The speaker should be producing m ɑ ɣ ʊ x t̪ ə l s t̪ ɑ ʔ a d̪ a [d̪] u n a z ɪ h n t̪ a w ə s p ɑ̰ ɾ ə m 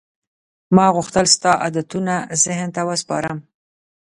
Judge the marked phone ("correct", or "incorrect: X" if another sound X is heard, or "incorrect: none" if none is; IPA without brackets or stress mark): incorrect: t̪